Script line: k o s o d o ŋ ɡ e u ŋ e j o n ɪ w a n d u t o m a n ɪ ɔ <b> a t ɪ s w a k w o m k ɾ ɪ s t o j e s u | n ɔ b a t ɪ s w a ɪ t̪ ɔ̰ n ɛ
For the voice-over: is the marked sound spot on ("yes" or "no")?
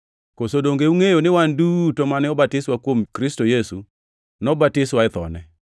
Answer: yes